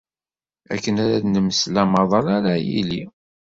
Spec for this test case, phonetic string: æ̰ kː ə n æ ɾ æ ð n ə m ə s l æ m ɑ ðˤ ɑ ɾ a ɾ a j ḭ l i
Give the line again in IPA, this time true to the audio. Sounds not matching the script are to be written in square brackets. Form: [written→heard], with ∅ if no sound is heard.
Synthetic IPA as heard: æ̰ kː ə n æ ɾ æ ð n ə m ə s l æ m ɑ ðˤ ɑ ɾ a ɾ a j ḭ l i

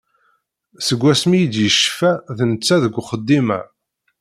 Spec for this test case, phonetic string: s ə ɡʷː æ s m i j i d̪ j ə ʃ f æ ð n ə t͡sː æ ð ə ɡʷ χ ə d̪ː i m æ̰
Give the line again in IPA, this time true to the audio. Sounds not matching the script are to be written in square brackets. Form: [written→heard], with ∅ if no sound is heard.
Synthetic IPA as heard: s ə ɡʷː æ s m i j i d̪ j ə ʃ f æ ð n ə t͡sː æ ð ə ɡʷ χ ə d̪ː i m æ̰

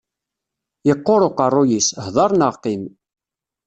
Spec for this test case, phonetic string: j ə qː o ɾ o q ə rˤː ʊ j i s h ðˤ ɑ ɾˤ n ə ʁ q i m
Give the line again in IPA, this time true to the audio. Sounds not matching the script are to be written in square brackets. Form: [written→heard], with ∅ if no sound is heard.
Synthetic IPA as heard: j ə qː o ɾ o q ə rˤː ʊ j i s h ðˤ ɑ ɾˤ n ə ʁ q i m

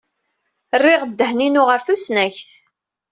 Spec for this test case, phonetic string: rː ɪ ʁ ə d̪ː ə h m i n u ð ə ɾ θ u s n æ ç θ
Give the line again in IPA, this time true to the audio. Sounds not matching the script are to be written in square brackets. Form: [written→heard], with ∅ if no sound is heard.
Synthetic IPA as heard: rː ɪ ʁ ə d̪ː ə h [m→n] i n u [ð→ʁ] ə ɾ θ u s n æ ç θ

